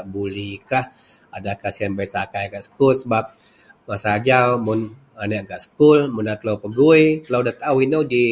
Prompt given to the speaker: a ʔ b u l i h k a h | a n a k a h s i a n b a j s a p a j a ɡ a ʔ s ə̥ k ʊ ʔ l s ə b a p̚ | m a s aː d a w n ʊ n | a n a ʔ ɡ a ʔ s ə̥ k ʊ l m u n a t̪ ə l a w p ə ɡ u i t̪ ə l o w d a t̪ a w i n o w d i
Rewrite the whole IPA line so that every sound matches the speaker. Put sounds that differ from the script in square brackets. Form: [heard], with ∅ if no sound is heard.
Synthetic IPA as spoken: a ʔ b u l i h k a h | a [d] a k a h s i a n b a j s a [k] a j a ɡ a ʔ s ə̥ k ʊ [∅] l s ə b a p̚ | m a s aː [d͡ʒ] a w [m] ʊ n | a n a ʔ ɡ a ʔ s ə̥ k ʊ l m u n a t̪ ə l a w p ə ɡ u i t̪ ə l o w d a t̪ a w i n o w d i